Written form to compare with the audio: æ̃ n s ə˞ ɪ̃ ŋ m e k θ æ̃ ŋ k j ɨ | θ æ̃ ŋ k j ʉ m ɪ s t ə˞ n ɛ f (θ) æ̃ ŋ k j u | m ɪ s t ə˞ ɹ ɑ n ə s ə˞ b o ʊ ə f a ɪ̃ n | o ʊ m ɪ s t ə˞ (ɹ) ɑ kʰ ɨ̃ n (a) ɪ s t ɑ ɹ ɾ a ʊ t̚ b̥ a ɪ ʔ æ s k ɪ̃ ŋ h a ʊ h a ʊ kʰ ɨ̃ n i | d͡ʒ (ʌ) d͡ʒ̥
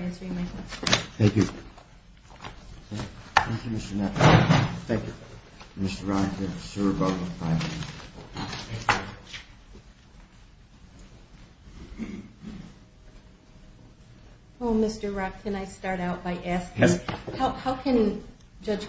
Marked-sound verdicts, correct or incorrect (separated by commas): correct, correct, correct, correct